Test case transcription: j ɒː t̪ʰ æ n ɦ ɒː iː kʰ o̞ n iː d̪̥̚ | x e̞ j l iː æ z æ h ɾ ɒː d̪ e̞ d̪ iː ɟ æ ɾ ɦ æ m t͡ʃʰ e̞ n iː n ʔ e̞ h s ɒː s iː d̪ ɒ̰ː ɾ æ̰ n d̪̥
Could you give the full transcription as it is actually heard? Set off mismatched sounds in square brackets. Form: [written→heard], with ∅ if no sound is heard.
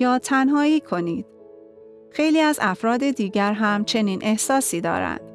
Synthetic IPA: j ɒː t̪ʰ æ n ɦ ɒː iː kʰ o̞ n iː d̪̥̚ | x e̞ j l iː æ z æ [h→f] ɾ ɒː d̪ e̞ d̪ iː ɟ æ ɾ ɦ æ m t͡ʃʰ e̞ n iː n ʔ e̞ h s ɒː s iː d̪ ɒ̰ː ɾ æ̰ n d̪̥